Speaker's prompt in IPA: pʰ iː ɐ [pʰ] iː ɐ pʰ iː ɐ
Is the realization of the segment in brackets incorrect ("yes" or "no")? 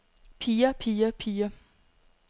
no